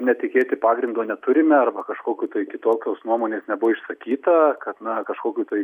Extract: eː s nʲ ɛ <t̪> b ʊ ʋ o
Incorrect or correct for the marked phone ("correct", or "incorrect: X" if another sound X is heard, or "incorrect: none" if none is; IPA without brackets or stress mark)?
incorrect: none